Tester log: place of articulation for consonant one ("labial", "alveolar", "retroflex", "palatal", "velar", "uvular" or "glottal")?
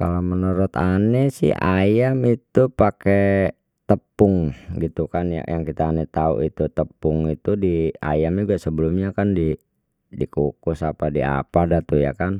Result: velar